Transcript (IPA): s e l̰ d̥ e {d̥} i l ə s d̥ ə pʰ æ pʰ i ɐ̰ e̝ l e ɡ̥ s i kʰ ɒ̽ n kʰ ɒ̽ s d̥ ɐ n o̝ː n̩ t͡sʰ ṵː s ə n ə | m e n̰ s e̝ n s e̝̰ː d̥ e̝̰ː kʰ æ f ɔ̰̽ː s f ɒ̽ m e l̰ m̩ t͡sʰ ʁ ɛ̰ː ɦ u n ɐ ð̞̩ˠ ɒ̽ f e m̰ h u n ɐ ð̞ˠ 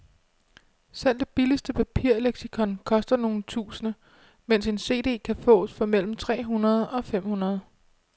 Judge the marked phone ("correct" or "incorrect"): incorrect